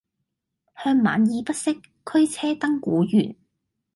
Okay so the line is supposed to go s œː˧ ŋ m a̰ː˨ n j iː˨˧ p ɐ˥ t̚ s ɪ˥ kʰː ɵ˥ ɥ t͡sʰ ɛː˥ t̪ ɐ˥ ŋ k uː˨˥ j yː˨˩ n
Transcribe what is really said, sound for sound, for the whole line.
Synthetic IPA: h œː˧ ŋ m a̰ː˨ n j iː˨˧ p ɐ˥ t̚ s ɪ˥ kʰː ɵ˥ ɥ t͡sʰ ɛː˥ t̪ ɐ˥ ŋ k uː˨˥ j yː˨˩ n